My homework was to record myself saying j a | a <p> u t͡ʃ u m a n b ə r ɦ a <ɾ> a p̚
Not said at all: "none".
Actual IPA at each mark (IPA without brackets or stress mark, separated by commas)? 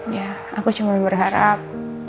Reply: k, ɾ